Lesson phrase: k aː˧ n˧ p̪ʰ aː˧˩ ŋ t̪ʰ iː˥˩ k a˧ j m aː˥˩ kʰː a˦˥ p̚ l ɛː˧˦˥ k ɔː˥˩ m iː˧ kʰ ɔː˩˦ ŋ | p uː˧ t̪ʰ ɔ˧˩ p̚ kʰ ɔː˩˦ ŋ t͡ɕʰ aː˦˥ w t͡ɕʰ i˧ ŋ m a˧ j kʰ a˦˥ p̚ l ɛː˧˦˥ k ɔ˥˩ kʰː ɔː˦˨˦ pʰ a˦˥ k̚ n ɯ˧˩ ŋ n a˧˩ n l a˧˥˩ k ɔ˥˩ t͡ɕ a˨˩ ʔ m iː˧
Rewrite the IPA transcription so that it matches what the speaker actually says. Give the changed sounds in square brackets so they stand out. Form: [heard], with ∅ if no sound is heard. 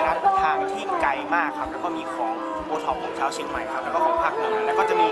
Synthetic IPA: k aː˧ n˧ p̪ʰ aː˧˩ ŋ t̪ʰ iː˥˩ k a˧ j m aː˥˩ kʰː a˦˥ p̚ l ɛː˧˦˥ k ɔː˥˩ m iː˧ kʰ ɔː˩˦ ŋ | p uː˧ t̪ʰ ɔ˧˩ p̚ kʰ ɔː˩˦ ŋ t͡ɕʰ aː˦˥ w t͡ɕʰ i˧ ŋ m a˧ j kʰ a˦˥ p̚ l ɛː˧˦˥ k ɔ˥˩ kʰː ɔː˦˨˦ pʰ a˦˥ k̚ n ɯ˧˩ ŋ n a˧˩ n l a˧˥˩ k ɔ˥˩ t͡ɕ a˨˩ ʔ m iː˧